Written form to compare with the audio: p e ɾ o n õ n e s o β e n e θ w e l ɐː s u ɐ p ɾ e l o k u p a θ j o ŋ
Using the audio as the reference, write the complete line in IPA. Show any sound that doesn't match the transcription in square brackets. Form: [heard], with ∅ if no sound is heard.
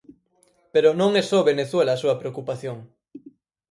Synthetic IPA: p e ɾ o n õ [ŋ] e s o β e n e θ w e l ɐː s u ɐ p ɾ e [∅] o k u p a θ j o ŋ